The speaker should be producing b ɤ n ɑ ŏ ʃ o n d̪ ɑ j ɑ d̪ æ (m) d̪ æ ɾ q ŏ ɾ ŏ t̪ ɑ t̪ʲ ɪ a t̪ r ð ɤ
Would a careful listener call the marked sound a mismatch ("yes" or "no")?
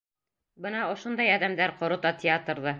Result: no